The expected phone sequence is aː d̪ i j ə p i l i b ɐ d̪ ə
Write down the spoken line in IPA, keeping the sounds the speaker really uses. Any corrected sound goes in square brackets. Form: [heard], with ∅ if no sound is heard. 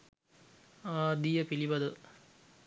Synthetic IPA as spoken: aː d̪ i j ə p i l i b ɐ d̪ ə